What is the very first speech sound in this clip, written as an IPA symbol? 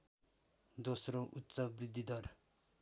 d̪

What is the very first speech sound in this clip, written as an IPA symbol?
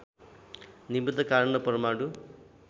n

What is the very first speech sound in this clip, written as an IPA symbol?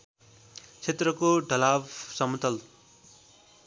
t͡sʰ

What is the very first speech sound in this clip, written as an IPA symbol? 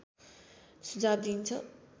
s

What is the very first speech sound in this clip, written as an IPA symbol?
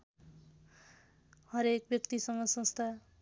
h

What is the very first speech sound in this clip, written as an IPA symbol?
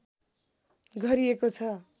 ɡʱ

